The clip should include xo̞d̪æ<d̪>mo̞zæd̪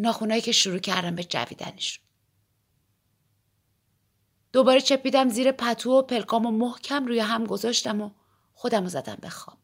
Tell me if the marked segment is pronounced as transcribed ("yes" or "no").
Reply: no